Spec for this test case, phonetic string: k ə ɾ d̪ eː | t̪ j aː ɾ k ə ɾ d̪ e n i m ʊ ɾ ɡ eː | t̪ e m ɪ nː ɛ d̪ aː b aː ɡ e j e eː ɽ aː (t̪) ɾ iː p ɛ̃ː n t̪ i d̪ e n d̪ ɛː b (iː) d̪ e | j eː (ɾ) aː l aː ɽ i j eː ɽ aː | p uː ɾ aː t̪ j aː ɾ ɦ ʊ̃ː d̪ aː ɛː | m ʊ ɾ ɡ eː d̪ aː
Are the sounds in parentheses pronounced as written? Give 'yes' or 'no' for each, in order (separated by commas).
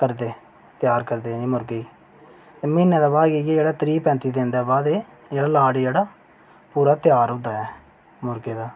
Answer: yes, no, no